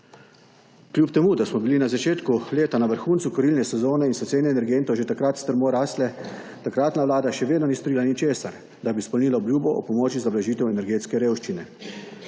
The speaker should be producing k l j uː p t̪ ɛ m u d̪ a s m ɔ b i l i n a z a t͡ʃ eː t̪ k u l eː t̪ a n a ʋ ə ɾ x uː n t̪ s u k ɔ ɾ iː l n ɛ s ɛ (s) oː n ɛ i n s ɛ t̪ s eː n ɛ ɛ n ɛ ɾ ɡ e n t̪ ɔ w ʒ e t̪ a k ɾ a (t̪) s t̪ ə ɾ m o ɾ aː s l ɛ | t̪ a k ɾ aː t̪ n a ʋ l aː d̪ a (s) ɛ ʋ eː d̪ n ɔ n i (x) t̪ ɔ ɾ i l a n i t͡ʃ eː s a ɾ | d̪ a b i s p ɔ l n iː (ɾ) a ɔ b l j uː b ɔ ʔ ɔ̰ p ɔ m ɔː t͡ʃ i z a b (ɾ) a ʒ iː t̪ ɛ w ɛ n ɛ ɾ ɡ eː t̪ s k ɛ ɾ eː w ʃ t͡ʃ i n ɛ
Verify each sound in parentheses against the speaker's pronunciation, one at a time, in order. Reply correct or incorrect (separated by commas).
incorrect, correct, incorrect, incorrect, incorrect, incorrect